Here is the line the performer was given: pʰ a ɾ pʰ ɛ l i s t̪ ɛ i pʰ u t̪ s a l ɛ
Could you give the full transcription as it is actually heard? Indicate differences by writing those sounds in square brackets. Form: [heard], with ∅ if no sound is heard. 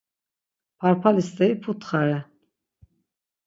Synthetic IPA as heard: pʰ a ɾ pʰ [a] l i s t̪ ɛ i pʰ u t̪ [χ] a [ɾ] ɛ